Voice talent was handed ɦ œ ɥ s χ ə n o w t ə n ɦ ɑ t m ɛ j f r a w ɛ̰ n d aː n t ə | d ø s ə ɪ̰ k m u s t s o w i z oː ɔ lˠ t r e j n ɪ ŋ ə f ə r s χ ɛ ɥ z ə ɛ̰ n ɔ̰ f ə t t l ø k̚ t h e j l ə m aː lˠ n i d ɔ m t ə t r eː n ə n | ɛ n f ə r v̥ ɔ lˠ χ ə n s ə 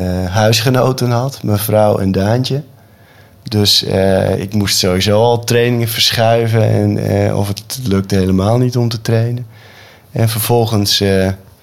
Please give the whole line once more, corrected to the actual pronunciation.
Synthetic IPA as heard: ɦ œ ɥ s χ ə n o w t ə n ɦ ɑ t m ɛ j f r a w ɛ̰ n d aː n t ə | d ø s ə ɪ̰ k m u s t s o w i z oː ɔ lˠ t r e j n ɪ ŋ ə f ə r s χ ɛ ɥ v ə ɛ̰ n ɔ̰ f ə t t l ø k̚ t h e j l ə m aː lˠ n i t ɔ m t ə t r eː n ə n | ɛ n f ə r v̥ ɔ lˠ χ ə n s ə